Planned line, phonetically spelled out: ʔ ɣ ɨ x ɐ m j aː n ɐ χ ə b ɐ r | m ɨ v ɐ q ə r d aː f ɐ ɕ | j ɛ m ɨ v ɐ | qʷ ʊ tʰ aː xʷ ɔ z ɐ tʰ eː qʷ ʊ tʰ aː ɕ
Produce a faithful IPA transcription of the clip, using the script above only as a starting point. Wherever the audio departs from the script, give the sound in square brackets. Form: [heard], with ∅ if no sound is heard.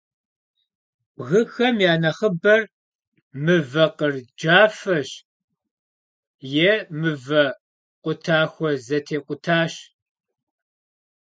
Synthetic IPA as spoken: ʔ ɣ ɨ x ɐ m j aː n ɐ χ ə b ɐ r | m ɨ v ɐ q ə r [d͡ʒ] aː f ɐ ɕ | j ɛ m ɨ v ɐ | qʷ ʊ tʰ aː xʷ ɔ z ɐ tʰ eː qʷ ʊ tʰ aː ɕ

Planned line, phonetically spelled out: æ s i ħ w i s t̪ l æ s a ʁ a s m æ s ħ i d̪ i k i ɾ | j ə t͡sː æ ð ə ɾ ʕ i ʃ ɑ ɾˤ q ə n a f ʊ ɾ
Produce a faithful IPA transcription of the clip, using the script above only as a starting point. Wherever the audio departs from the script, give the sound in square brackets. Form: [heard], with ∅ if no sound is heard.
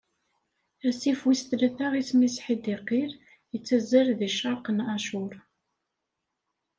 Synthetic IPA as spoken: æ s i [f] w i s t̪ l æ [θ] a ʁ [i] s m [i] s ħ i d̪ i [q] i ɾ | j ə t͡sː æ [z] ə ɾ [ð] i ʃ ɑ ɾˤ q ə n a [ʃ] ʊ ɾ

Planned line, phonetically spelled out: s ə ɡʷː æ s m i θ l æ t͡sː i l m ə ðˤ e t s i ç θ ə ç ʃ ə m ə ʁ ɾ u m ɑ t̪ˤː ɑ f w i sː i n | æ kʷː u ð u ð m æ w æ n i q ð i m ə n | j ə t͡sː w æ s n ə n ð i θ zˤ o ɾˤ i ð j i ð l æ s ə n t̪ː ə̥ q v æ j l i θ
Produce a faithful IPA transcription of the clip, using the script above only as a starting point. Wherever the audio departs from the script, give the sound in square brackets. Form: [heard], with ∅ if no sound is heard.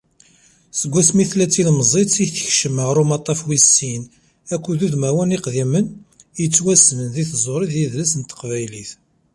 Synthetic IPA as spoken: s ə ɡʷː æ s m i θ l æ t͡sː i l m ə [zˤ] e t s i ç θ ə ç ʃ ə m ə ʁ ɾ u m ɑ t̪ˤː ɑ f w i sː i n | æ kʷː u ð u ð m æ w æ n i q ð i m ə n | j ə t͡sː w æ s n ə n ð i θ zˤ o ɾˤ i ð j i ð l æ s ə n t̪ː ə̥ q v æ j l i θ

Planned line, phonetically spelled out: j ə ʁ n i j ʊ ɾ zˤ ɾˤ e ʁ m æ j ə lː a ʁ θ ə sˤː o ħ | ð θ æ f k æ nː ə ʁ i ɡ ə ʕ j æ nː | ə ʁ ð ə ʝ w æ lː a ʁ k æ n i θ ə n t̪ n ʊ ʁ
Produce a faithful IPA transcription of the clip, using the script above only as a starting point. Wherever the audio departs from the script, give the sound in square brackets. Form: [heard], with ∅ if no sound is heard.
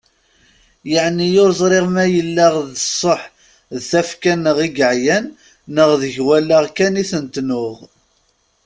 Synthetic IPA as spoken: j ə [ʕ] n i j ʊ ɾ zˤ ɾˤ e ʁ m æ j ə lː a ʁ [ð] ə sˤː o ħ | ð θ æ f k æ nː ə ʁ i ɡ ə ʕ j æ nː | ə ʁ ð ə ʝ w æ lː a ʁ k æ n i θ ə n t̪ n ʊ ʁ

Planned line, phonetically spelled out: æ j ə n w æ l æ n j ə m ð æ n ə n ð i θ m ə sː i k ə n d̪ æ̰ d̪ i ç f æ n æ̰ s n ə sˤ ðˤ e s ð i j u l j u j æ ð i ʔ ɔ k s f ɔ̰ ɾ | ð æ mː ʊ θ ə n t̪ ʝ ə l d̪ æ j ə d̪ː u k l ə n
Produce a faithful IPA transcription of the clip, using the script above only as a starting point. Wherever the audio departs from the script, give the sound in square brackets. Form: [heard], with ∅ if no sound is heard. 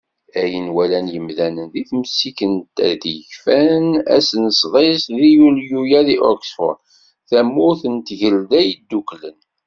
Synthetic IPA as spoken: æ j ə n w æ l æ n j ə m ð æ n ə n ð i θ m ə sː i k ə n [t̪] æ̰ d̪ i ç f æ n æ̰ s n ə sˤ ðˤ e s ð i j u l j u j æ ð i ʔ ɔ k s f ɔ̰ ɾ | [θ] æ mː ʊ θ ə n t̪ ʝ ə l d̪ æ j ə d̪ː u k l ə n

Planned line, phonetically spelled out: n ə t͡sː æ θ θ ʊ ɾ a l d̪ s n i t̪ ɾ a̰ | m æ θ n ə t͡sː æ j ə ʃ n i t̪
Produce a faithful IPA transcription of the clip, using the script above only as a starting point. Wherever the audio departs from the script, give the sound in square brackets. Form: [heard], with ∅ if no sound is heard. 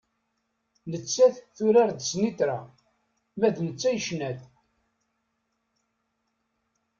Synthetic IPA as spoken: n ə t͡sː æ θ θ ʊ ɾ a [ɾ] d̪ s n i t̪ ɾ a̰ | m æ [ð] n ə t͡sː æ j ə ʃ n [æ] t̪

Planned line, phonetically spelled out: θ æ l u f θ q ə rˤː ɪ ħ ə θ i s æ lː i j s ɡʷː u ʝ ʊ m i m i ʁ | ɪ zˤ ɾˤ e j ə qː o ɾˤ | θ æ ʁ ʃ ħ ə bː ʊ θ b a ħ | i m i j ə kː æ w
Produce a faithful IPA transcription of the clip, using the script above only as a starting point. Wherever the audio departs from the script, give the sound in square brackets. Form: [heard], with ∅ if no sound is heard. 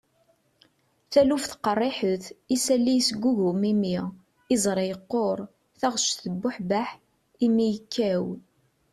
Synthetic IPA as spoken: θ æ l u f θ q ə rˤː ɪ ħ ə θ i s æ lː i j s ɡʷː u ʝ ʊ m i m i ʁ | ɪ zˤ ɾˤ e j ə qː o ɾˤ | θ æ ʁ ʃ [θ] ə bː ʊ [ħ] b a ħ | i m i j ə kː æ w

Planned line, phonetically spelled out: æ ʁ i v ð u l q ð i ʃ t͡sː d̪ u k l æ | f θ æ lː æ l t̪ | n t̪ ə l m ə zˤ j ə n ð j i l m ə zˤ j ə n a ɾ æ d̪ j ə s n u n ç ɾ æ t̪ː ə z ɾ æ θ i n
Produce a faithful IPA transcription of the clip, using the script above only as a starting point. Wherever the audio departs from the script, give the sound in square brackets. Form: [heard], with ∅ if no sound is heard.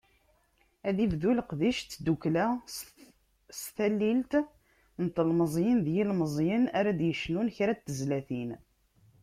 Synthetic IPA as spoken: æ [ð] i v ð u l q ð i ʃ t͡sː d̪ u k l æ | [s] θ æ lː [i] l t̪ | n t̪ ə l m ə zˤ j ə n ð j i l m ə zˤ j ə n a ɾ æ d̪ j ə [ʃ] n u n ç ɾ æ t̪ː ə z [l] æ θ i n

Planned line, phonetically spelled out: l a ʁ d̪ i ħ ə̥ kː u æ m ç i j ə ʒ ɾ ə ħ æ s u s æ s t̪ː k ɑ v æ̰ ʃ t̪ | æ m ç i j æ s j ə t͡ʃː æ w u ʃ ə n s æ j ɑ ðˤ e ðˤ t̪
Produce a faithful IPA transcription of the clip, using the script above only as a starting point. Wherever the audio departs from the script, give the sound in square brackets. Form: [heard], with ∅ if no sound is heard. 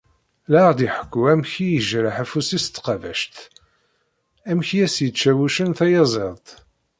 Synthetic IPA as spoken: l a ʁ d̪ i ħ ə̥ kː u æ m ç i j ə ʒ ɾ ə ħ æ [f] u s [i] s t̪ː [q] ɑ v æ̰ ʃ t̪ | æ m ç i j æ s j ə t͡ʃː æ w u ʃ ə n [θ] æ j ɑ [zˤ] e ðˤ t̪

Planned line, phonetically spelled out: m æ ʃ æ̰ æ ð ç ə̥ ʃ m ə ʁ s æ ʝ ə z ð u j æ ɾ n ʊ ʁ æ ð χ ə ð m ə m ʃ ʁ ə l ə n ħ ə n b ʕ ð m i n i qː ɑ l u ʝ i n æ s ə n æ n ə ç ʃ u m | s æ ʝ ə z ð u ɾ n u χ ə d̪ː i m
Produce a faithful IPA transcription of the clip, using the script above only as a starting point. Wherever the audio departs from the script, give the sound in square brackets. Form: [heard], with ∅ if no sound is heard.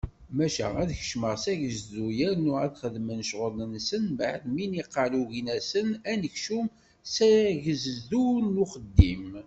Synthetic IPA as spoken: m æ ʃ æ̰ æ ð ç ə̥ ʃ m ə ʁ s æ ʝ ə z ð u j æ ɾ n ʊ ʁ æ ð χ ə ð m ə [n] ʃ ʁ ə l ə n [s] ə n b ʕ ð m i n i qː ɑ l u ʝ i n æ s ə n æ n ə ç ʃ u m | s æ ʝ ə z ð u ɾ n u χ ə d̪ː i m

